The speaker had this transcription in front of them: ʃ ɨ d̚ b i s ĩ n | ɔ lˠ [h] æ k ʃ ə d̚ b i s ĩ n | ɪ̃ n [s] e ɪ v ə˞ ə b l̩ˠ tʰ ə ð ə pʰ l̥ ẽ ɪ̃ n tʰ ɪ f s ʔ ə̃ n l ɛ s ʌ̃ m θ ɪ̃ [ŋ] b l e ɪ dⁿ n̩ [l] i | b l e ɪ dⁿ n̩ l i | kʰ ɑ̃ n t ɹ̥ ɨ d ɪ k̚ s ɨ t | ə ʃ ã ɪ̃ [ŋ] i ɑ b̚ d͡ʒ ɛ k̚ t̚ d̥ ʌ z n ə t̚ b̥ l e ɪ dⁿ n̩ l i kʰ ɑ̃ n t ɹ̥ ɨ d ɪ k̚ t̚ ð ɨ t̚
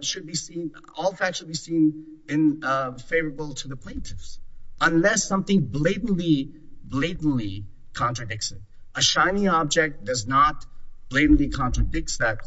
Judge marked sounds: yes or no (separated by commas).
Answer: no, no, yes, yes, no